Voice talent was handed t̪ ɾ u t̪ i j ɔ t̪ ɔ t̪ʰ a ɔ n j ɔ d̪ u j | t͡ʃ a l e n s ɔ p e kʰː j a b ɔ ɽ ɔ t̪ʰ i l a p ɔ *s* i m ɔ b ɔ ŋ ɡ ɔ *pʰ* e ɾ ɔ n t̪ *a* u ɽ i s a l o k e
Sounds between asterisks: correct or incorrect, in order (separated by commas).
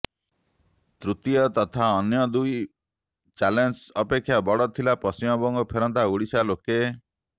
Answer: correct, correct, correct